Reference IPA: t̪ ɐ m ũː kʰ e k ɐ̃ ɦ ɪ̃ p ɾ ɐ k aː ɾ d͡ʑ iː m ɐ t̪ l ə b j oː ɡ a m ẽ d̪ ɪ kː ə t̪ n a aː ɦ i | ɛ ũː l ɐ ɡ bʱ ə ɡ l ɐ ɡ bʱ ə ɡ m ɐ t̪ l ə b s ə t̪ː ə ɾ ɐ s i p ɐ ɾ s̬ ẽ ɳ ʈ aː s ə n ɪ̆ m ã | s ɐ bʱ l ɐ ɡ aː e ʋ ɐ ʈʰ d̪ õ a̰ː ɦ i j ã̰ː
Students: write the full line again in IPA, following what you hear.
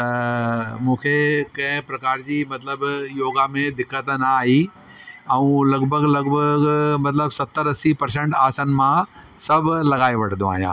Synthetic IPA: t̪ ɐ m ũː kʰ e k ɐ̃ ɦ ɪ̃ p ɾ ɐ k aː ɾ d͡ʑ iː m ɐ t̪ l ə b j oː ɡ a m ẽ d̪ ɪ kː ə t̪ n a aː ɦ i | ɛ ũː l ɐ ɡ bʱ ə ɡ l ɐ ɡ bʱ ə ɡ m ɐ t̪ l ə b s ɐ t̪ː ə ɾ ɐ s i p ɐ ɾ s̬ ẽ ɳ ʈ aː s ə n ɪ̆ m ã | s ɐ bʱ l ɐ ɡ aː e ʋ ɐ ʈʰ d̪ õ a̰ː ɦ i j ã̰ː